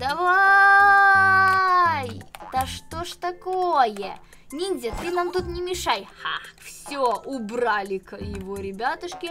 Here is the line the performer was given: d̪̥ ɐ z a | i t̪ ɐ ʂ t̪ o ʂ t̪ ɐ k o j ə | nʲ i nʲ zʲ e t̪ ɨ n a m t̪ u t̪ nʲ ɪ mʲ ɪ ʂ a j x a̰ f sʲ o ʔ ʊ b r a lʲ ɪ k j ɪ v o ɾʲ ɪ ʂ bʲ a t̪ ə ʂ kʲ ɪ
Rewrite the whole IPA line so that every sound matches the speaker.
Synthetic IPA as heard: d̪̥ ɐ v a | j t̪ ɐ ʂ t̪ o ʂ t̪ ɐ k o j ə | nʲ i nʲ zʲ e t̪ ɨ n a m t̪ u t̪ nʲ ɪ mʲ ɪ ʂ a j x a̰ f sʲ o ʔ ʊ b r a lʲ ɪ k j ɪ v o ɾʲ ɪ bʲ a t̪ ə ʂ kʲ ɪ